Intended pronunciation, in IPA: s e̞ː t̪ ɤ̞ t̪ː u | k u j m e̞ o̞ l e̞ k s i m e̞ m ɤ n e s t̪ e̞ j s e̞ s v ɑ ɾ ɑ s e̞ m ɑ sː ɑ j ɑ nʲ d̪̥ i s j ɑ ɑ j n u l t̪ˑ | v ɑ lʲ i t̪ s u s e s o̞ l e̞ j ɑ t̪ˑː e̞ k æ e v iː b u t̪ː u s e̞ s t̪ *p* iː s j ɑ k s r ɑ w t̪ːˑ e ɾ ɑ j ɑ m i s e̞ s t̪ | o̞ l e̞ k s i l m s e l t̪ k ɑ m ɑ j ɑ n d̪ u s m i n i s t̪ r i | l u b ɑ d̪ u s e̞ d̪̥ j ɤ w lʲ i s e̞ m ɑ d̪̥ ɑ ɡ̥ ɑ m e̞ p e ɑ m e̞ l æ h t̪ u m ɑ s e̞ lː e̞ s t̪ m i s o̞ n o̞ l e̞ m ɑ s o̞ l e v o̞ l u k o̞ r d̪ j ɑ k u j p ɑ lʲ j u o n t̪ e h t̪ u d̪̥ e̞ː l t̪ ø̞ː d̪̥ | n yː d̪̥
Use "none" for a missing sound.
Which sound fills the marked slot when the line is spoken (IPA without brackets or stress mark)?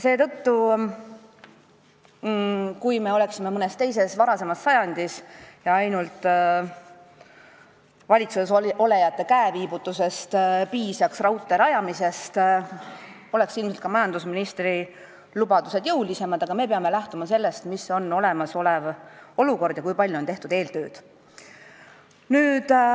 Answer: p